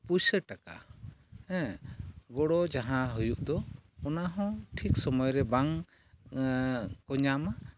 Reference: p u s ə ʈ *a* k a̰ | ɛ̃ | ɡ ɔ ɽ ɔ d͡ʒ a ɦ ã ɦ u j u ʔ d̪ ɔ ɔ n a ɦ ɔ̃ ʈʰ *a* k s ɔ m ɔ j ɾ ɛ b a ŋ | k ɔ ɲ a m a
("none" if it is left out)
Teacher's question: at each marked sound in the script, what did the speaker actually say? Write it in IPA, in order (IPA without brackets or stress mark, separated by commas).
a, i